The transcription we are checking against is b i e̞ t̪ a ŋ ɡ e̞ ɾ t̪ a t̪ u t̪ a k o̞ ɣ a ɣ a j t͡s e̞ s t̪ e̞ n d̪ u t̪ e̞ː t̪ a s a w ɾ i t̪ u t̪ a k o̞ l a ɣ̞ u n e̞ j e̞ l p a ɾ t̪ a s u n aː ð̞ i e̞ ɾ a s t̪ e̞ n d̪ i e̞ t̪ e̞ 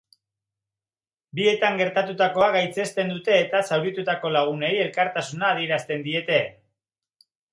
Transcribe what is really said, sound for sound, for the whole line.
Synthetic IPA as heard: b i e̞ t̪ a ŋ ɡ e̞ ɾ t̪ a t̪ u t̪ a k o̞ a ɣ a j t͡s e̞ s t̪ e̞ n d̪ u t̪ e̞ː t̪ a s a w ɾ i t̪ u t̪ a k o̞ l a ɣ̞ u n e̞ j e̞ l k a ɾ t̪ a s u n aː ð̞ i e̞ ɾ a s t̪ e̞ n d̪ i e̞ t̪ e̞